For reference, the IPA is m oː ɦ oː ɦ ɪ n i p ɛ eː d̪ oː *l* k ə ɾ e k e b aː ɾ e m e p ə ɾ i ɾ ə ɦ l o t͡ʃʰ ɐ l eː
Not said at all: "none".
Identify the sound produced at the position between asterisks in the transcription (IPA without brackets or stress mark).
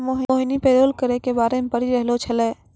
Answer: l